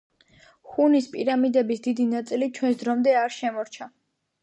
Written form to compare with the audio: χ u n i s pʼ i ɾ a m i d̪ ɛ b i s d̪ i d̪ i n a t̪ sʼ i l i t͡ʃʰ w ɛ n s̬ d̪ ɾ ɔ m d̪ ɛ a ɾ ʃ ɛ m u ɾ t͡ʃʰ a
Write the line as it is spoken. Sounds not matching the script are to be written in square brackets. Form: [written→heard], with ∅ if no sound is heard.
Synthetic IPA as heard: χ u n i s pʼ i ɾ a m i d̪ ɛ b i s d̪ i d̪ i n a t̪ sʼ i l i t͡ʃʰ w ɛ n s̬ d̪ ɾ ɔ m d̪ ɛ a ɾ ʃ ɛ m [u→ɔ] ɾ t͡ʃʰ a